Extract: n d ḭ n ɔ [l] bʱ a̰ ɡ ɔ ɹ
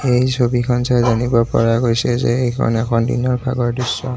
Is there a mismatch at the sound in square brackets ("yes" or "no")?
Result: yes